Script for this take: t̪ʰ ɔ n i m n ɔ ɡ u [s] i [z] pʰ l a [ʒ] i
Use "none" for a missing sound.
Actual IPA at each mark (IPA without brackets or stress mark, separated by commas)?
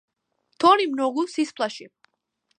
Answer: s, s, ʃ